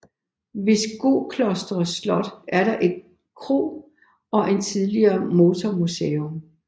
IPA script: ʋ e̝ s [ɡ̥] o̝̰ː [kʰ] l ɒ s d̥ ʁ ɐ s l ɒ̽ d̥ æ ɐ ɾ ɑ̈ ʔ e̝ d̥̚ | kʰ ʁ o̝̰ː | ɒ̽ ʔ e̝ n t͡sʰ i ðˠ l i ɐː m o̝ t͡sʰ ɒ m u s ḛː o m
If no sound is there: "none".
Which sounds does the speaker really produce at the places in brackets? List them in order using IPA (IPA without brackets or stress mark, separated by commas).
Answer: ɡ̥, kʰ